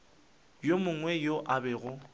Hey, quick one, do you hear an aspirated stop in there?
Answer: no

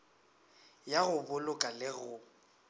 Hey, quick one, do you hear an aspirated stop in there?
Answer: no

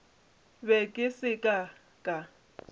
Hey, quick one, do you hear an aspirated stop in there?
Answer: no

